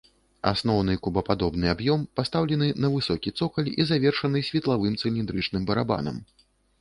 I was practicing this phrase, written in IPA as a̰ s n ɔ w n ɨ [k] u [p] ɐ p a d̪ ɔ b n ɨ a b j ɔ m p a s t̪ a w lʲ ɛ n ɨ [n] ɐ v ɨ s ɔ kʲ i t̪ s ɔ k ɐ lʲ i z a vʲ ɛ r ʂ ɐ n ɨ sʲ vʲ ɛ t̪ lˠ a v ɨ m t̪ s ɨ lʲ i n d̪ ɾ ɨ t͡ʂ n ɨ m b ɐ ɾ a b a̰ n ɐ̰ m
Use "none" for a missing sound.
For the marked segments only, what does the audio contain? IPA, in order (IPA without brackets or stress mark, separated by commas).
k, b, n